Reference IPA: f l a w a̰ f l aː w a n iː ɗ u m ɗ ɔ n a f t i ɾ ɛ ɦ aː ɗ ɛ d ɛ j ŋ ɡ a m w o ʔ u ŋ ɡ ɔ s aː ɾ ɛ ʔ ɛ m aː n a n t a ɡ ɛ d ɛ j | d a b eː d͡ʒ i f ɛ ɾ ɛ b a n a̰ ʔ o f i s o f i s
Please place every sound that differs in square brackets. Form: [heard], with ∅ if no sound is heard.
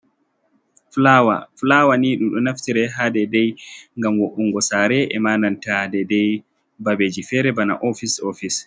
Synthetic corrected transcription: f l a w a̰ f l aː w a n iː ɗ u m ɗ ɔ n a f t i ɾ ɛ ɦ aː [d] ɛ d ɛ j ŋ ɡ a m w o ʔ u ŋ ɡ ɔ s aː ɾ ɛ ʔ ɛ m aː n a n t a [d] ɛ d ɛ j | [b] a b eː d͡ʒ i f ɛ ɾ ɛ b a n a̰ ʔ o f i s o f i s